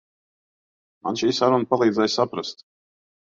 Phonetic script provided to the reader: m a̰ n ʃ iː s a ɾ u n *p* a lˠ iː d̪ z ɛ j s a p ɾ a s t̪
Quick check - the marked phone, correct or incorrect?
correct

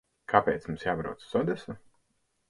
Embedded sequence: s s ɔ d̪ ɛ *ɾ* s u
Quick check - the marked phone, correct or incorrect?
incorrect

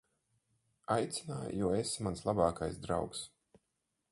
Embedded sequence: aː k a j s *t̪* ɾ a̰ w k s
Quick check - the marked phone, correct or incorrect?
incorrect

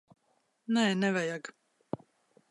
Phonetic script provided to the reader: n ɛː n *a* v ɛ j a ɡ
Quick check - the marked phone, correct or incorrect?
incorrect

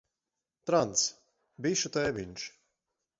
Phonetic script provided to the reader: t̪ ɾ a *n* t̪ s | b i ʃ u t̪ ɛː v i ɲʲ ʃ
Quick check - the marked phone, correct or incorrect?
correct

